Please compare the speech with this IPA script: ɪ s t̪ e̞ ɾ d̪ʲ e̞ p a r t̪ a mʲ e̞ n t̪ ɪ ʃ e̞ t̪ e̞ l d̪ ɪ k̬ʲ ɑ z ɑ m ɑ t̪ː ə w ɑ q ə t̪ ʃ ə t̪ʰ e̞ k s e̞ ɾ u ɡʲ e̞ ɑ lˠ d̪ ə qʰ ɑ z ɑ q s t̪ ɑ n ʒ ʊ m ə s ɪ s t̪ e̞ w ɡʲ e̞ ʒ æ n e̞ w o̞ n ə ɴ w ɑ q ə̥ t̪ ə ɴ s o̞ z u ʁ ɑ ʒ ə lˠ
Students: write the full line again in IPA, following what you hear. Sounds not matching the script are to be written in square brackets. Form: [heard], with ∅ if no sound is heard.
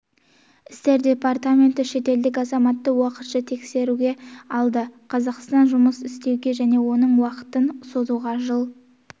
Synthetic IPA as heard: ɪ s t̪ e̞ ɾ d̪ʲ e̞ p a r t̪ a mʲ e̞ n t̪ ɪ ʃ e̞ t̪ e̞ l d̪ ɪ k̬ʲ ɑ z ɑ m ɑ t̪ː ə w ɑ q ə t̪ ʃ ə t̪ʰ e̞ k s e̞ ɾ u ɡʲ e̞ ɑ lˠ d̪ ə qʰ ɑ z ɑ q s t̪ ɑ n ʒ ʊ m ə s ɪ s t̪ e̞ w ɡʲ e̞ ʒ æ n e̞ w o̞ n ə ɴ w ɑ q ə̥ t̪ ə [n] s o̞ z u ʁ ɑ ʒ ə lˠ